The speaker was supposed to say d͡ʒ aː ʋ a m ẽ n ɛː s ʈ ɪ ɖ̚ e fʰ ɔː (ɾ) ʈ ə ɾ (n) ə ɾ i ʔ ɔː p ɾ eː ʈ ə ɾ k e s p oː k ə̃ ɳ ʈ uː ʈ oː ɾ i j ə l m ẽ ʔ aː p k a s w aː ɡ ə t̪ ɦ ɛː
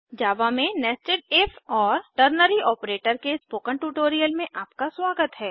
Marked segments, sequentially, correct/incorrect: correct, correct

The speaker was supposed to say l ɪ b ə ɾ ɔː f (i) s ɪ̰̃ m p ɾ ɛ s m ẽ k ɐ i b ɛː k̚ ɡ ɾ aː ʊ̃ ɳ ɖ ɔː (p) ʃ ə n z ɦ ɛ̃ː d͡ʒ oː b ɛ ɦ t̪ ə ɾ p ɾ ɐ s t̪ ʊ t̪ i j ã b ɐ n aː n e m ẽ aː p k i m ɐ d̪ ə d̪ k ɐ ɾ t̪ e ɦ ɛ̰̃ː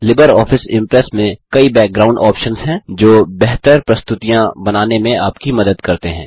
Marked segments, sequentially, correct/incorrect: incorrect, correct

